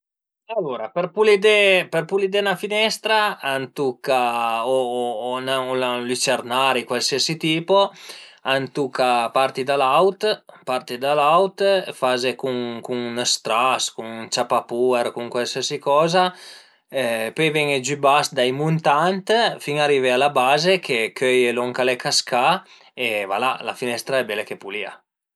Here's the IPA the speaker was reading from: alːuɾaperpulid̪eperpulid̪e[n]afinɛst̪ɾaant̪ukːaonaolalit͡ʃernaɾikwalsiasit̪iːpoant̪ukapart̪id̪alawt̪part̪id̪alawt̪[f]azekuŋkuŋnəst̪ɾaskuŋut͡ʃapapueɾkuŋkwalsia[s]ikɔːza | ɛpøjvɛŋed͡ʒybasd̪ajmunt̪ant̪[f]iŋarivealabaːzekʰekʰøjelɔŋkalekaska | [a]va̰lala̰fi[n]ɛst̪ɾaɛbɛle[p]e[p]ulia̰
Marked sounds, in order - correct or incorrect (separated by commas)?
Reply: correct, correct, correct, correct, incorrect, correct, incorrect, correct